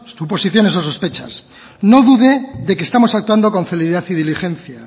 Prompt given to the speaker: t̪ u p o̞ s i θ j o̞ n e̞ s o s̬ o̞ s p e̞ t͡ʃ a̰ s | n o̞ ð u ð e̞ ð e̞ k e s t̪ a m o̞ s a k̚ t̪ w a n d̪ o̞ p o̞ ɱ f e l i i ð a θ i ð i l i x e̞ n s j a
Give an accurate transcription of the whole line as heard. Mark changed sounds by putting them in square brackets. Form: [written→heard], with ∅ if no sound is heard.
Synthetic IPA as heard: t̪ u p o̞ s i θ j o̞ n e̞ s o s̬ o̞ s p e̞ t͡ʃ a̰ s | n o̞ ð u ð e̞ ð e̞ k e s t̪ a m o̞ s a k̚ t̪ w a n d̪ o̞ [p→k] o̞ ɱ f e l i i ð a θ i ð i l i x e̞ n [s→θ] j a

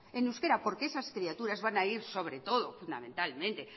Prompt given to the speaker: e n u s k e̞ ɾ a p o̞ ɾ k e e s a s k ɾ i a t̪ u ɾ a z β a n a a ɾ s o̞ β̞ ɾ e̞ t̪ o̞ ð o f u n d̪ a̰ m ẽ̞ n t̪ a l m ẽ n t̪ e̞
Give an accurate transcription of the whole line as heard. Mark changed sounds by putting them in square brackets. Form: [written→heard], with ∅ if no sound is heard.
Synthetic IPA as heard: e n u s k e̞ ɾ a p o̞ ɾ k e e s a s k ɾ i a t̪ u ɾ a z β a n a [a→i] ɾ s o̞ β̞ ɾ e̞ t̪ o̞ ð o f u n d̪ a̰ m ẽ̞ n t̪ a l m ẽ n t̪ e̞

